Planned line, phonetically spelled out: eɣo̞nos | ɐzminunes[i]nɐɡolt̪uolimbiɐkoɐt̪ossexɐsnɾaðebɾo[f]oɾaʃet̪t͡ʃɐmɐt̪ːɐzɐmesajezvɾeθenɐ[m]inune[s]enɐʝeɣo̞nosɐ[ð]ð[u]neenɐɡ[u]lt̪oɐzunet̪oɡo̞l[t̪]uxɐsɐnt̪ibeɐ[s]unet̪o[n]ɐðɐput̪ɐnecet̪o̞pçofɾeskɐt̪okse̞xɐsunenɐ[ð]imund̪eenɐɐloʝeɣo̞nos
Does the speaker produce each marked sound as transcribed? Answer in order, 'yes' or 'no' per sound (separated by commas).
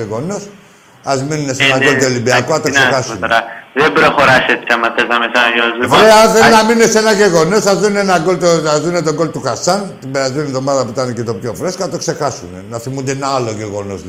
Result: no, no, yes, yes, no, yes, no, yes, no, no, no